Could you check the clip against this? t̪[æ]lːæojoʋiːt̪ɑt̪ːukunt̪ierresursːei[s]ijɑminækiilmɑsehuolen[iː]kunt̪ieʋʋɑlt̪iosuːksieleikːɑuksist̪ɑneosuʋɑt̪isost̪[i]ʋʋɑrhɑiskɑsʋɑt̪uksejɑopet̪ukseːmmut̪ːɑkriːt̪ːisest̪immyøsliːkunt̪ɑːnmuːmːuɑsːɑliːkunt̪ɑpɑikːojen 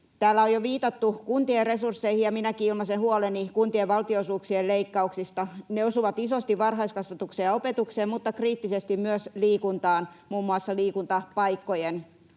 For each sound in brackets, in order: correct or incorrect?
incorrect: æː, incorrect: h, incorrect: i, correct

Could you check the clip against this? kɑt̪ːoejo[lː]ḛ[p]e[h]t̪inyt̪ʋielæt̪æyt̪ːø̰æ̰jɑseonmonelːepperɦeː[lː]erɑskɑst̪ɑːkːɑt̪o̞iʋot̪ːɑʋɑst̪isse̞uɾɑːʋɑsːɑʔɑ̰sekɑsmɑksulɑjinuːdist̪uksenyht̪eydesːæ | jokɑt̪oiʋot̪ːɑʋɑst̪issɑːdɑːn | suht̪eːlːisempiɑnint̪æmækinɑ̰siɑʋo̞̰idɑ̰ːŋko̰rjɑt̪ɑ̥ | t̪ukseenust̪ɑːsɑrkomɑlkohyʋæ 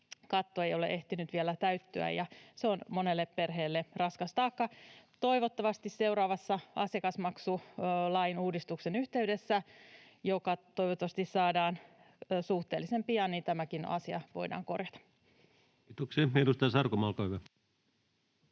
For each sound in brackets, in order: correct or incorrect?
incorrect: l, incorrect: ʔ, correct, correct

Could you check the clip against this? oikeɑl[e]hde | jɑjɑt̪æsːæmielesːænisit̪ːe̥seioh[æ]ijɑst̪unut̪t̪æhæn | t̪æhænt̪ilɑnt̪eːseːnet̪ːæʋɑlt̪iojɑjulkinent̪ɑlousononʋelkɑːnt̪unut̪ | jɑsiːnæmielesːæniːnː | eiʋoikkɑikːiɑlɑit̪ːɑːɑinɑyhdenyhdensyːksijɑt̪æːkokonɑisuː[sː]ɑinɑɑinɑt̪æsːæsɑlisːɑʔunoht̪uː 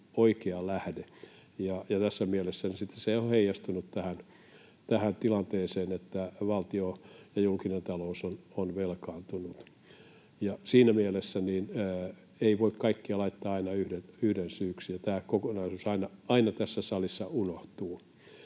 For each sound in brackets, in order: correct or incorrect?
incorrect: æ, incorrect: e, incorrect: s

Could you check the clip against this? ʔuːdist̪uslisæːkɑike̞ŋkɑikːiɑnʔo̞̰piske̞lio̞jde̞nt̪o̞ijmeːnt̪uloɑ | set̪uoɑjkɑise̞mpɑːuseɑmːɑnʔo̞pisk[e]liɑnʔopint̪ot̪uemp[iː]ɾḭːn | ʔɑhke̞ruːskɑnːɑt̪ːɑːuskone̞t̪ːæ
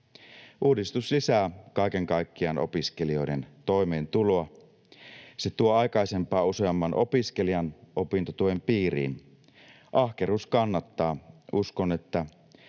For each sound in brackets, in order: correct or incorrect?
correct, correct

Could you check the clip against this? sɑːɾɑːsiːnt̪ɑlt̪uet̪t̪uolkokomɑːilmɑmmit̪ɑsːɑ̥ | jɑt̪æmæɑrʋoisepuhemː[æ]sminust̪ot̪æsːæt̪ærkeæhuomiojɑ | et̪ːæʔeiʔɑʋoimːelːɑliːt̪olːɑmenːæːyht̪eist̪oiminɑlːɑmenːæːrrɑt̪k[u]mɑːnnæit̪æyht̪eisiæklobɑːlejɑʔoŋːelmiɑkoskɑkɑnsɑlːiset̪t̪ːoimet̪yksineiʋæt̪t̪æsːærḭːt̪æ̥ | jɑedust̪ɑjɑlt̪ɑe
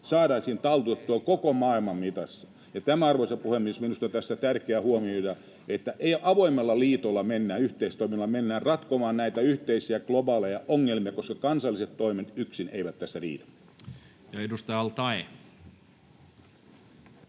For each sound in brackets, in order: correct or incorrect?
incorrect: i, incorrect: o

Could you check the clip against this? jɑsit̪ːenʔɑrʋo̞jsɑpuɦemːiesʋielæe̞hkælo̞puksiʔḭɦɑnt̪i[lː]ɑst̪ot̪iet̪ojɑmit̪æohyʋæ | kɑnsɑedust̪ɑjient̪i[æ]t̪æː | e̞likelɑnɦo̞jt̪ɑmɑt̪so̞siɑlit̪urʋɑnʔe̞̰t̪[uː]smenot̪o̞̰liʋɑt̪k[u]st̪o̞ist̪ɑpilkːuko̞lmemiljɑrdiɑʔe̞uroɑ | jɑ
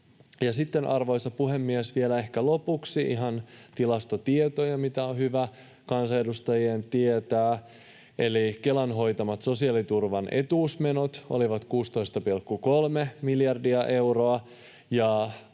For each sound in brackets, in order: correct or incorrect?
incorrect: l, incorrect: e, correct, incorrect: uː

